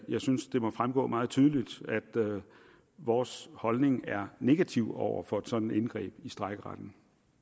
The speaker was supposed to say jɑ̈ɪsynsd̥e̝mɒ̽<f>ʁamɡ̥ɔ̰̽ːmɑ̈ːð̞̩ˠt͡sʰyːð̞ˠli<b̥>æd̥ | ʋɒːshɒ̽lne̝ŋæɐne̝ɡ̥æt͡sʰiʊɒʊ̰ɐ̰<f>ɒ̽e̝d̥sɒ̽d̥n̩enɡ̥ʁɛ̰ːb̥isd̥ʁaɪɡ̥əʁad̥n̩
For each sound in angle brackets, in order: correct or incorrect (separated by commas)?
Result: correct, incorrect, correct